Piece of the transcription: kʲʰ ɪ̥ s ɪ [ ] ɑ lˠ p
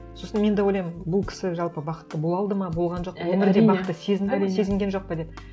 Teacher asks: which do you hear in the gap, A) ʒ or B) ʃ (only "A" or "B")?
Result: A